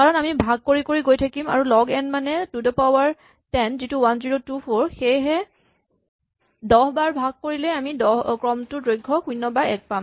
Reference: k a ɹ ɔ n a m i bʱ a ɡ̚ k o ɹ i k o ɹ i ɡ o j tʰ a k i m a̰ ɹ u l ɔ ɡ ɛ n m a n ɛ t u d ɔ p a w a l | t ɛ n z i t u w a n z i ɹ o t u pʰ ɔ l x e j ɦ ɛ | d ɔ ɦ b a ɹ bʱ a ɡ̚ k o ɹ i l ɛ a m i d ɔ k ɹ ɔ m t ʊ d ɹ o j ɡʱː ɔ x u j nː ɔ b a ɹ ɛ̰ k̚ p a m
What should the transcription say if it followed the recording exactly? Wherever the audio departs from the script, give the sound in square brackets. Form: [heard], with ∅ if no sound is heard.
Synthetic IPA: k a ɹ ɔ n a m i bʱ a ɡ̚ k o ɹ i k o ɹ i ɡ o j tʰ a k i m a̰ ɹ u l ɔ ɡ ɛ n m a n ɛ t u d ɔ p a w a [ɹ] | t ɛ n z i t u w a n z i ɹ o t u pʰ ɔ [ɹ] x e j ɦ ɛ | d ɔ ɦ b a ɹ bʱ a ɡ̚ k o ɹ i l ɛ a m i d ɔ k ɹ ɔ m t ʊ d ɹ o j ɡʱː ɔ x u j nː ɔ b a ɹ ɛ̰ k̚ p a m